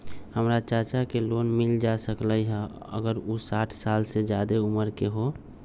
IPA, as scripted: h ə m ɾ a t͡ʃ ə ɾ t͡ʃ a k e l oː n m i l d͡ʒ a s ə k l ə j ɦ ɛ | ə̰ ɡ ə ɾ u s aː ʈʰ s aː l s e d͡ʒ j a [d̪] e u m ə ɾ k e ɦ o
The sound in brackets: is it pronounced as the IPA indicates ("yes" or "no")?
yes